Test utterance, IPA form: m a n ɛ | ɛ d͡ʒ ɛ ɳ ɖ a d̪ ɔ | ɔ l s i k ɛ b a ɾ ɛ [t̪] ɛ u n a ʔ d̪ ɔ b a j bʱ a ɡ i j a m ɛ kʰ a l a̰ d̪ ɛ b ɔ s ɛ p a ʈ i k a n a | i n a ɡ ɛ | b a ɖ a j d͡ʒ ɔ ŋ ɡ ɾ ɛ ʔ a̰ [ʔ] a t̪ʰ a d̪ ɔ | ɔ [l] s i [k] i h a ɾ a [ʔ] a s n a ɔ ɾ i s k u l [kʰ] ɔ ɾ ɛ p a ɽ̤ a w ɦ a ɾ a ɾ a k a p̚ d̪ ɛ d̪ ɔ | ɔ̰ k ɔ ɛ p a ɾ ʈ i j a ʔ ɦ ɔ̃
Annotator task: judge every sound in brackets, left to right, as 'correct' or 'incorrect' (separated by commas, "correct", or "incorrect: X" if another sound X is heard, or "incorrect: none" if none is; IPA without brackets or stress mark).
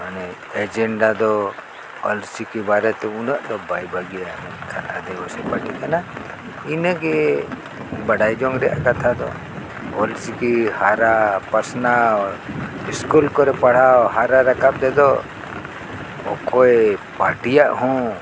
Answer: correct, incorrect: k, correct, correct, incorrect: p, incorrect: k